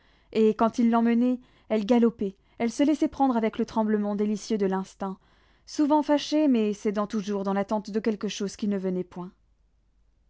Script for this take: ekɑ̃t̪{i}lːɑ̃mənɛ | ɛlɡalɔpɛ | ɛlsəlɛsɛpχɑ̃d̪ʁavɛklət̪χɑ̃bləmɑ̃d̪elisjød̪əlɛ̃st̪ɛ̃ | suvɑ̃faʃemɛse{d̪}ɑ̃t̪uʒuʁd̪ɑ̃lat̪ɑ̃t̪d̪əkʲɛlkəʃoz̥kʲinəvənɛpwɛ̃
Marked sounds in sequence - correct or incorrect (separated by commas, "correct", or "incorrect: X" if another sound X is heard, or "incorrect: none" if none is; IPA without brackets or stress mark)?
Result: correct, correct